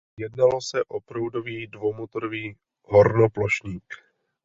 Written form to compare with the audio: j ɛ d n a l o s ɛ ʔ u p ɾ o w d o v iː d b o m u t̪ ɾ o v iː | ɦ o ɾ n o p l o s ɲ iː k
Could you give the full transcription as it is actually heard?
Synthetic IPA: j ɛ d n a l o s ɛ ʔ o p ɾ o w d o v iː d v o m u t̪ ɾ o v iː | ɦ o ɾ n o p l o ʃ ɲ iː k